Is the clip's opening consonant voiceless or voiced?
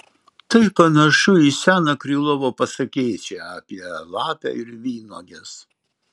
voiceless